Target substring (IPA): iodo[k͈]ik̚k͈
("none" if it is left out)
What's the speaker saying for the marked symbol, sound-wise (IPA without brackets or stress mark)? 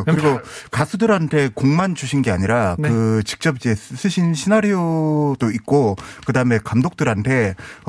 none